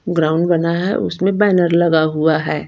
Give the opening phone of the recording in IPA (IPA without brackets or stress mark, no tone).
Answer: ɡ